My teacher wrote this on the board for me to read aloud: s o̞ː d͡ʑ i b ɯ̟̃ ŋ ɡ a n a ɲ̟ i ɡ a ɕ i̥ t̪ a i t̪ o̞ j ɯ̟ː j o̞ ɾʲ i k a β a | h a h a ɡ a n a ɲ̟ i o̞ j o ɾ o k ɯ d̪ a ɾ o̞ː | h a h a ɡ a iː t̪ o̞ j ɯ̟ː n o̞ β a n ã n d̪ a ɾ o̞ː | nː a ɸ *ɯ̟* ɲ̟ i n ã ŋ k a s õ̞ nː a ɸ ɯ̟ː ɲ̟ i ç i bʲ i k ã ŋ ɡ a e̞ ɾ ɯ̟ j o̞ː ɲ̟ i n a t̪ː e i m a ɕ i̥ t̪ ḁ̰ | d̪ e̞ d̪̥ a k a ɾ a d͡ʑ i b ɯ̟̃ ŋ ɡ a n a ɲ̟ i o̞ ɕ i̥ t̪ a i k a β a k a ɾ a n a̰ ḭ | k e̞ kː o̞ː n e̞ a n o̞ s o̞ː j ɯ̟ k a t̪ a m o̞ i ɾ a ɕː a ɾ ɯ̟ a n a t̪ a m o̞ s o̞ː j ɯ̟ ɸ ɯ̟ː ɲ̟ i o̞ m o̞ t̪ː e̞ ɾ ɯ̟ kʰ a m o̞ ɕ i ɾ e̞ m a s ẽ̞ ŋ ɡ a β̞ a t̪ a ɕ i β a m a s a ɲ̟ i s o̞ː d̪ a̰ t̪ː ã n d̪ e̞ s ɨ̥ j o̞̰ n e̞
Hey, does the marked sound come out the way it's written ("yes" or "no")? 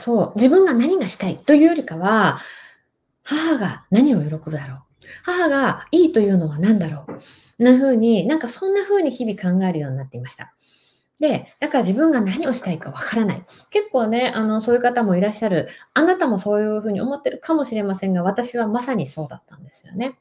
no